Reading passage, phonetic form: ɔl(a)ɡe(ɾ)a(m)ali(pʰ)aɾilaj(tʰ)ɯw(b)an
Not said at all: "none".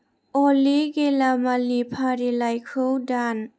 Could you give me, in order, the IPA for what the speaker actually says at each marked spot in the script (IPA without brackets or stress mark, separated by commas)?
i, l, m, pʰ, kʰ, d